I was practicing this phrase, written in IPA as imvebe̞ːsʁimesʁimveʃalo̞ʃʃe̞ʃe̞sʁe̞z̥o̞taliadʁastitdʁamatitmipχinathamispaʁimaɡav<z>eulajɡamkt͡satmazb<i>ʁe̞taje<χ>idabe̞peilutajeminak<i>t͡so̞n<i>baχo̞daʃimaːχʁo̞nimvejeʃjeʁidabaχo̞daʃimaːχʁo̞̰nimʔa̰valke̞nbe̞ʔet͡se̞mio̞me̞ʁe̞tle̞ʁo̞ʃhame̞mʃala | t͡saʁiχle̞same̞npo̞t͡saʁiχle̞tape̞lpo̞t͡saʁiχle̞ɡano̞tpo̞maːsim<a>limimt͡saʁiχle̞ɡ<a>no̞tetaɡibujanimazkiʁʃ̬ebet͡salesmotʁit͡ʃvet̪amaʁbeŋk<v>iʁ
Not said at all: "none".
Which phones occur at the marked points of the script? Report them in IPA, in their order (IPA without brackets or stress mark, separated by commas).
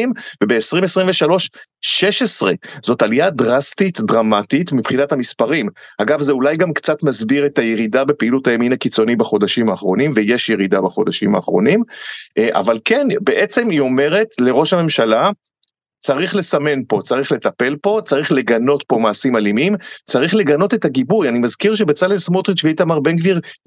z, i, ʁ, i, i, a, a, v